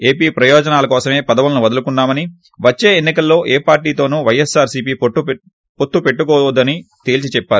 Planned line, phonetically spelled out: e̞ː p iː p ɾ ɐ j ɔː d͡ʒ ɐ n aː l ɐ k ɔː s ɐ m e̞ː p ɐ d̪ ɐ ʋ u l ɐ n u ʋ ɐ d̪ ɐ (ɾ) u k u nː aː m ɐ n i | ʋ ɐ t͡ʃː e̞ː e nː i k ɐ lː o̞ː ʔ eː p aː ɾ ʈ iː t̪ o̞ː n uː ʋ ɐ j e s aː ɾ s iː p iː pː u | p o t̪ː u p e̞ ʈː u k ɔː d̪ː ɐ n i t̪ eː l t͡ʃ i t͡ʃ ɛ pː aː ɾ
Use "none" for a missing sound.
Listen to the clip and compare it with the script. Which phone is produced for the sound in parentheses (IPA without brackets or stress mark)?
l